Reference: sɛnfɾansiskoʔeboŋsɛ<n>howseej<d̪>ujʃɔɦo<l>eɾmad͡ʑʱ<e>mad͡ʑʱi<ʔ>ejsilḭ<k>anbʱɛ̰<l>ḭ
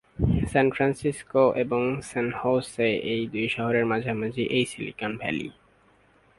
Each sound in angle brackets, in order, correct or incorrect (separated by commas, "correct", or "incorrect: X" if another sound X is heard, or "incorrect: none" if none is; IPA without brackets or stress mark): correct, correct, incorrect: ɾ, incorrect: a, correct, correct, correct